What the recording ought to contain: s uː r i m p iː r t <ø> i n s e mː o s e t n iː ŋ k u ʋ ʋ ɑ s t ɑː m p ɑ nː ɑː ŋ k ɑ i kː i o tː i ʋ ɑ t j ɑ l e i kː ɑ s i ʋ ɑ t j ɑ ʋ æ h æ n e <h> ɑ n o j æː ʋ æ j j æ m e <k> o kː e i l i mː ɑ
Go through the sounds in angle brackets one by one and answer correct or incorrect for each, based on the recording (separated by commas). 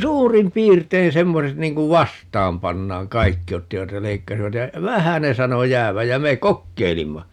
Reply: incorrect, incorrect, correct